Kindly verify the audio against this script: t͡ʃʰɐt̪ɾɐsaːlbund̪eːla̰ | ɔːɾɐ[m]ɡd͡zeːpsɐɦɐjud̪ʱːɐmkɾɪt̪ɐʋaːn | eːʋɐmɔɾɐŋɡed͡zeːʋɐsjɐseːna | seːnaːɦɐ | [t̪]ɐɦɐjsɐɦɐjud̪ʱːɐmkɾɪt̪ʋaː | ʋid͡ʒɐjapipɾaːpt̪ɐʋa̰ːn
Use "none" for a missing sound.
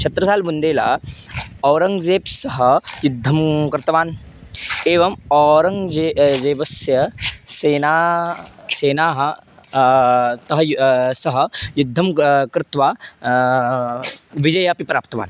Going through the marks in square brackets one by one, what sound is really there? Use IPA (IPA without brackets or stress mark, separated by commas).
ŋ, t̪